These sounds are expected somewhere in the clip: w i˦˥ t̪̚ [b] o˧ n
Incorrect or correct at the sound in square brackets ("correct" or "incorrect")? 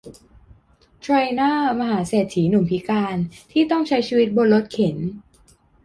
correct